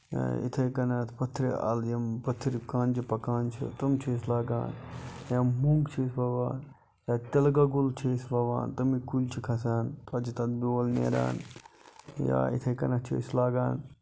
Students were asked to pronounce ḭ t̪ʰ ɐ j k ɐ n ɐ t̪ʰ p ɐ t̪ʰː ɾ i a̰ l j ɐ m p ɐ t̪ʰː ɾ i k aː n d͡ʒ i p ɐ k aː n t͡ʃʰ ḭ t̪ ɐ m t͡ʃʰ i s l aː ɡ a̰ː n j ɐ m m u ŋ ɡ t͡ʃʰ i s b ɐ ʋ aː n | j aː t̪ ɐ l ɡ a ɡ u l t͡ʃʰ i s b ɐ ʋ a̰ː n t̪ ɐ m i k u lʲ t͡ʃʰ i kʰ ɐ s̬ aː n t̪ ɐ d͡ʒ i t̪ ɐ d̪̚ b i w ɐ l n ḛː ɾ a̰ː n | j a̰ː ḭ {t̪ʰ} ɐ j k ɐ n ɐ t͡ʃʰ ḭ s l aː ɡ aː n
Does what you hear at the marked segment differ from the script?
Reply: no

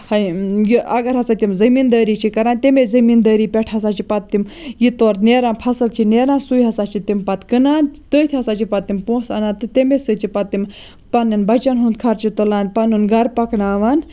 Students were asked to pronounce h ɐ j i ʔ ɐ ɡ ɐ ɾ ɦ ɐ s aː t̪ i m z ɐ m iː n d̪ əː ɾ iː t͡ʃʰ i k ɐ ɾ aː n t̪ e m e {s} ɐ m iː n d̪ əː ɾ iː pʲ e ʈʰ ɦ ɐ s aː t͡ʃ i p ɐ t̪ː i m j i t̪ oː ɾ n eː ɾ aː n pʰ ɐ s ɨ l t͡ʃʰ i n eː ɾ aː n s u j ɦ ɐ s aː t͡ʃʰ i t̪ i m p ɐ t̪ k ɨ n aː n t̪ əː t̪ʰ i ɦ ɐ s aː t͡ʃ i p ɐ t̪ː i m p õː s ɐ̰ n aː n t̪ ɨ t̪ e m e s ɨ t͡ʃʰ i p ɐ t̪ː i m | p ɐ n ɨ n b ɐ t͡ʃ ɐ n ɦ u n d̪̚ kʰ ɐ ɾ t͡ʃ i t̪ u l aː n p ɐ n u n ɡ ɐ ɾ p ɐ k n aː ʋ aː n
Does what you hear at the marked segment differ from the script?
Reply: yes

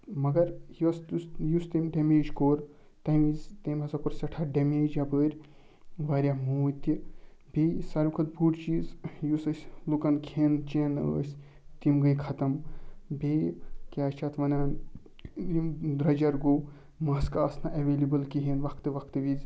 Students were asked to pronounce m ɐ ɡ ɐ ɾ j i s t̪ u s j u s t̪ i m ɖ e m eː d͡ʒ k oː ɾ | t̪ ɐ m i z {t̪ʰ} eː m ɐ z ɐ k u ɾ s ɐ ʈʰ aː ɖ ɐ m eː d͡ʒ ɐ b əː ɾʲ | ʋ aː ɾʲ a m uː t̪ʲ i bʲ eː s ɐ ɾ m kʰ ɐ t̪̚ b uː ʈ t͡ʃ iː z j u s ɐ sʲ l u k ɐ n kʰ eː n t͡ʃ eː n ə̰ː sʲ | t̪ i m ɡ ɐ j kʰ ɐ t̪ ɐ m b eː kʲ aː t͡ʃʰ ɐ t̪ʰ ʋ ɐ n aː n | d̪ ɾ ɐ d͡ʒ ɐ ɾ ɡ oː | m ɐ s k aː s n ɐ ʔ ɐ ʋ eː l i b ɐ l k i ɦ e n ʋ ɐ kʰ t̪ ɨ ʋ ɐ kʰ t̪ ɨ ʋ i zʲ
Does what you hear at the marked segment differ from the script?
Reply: yes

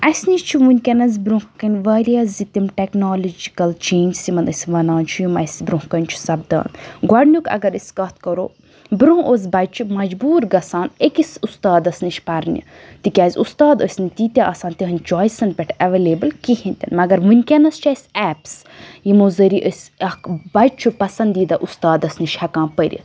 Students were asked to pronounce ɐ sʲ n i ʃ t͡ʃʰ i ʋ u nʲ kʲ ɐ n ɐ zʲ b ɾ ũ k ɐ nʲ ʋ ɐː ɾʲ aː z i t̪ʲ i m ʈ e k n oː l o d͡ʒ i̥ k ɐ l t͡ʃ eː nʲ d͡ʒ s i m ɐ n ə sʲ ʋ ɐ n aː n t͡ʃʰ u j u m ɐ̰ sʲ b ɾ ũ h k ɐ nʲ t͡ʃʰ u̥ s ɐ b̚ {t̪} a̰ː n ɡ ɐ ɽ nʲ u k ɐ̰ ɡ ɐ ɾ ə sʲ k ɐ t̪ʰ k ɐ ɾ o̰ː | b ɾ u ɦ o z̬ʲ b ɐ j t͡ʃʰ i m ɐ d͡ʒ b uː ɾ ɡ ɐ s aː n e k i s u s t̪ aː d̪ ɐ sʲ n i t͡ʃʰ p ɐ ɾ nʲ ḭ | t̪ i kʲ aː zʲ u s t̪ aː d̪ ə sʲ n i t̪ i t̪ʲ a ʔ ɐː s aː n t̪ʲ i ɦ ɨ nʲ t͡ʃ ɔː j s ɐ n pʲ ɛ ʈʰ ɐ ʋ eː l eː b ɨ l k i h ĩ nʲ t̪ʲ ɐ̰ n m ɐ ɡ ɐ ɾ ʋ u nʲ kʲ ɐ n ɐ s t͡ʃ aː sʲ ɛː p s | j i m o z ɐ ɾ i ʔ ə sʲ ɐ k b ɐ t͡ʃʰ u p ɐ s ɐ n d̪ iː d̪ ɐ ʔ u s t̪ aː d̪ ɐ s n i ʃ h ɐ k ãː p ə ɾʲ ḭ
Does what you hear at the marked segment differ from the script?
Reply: yes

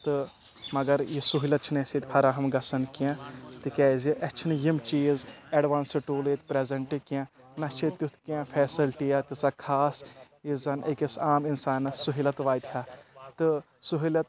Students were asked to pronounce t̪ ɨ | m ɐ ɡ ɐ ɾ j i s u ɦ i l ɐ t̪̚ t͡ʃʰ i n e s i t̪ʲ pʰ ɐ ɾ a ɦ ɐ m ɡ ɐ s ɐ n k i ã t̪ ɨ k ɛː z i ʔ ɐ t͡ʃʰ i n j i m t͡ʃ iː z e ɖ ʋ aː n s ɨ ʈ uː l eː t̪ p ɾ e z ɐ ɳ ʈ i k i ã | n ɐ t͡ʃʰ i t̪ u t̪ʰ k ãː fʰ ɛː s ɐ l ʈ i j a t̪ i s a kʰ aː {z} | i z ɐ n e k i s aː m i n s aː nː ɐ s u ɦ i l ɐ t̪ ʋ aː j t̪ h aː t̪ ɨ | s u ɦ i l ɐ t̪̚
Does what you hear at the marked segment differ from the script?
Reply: yes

